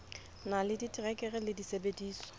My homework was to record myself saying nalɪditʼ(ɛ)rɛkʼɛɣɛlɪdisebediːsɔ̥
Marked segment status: incorrect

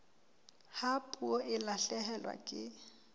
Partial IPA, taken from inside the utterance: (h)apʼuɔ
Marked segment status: correct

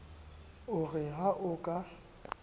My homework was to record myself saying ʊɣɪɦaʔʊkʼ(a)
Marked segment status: correct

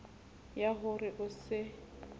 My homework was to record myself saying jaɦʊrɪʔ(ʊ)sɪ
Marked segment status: correct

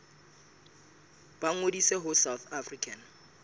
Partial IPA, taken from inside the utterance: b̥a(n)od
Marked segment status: incorrect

